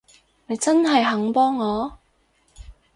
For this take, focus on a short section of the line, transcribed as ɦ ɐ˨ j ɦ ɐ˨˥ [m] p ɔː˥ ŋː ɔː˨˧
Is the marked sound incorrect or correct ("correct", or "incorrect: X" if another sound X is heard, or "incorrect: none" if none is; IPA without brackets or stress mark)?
incorrect: ŋ